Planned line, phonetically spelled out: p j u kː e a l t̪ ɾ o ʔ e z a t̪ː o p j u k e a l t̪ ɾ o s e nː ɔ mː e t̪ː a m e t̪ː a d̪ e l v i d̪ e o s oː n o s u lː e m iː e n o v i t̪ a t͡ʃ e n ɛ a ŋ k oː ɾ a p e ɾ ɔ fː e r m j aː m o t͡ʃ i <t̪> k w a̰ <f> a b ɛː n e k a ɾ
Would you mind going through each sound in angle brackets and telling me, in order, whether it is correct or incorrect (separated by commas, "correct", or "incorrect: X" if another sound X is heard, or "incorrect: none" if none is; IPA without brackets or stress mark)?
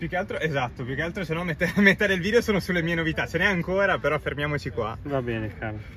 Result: incorrect: none, incorrect: v